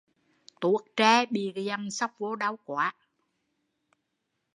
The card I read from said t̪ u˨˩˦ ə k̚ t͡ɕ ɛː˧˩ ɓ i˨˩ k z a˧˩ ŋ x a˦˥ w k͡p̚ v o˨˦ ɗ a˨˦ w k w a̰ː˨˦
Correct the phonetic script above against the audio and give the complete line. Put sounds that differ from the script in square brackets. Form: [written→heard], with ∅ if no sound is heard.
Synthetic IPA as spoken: t̪ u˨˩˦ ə k̚ t͡ɕ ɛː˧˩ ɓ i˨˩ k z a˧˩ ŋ [x→s] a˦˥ w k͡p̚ v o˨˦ ɗ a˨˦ w k w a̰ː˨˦